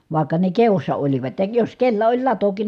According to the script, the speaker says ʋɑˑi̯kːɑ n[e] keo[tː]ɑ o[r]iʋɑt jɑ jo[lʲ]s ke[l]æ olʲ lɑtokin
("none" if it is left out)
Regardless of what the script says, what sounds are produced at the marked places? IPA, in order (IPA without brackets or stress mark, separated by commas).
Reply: e, sː, l, none, lː